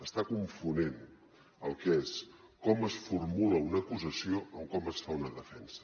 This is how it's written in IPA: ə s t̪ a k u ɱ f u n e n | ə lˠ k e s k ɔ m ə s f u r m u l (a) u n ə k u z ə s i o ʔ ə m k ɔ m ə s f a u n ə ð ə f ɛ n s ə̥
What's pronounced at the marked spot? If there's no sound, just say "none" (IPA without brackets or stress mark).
ə